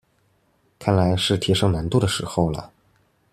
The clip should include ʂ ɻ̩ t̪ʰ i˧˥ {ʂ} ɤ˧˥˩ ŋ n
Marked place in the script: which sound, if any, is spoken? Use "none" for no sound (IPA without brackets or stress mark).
ʂ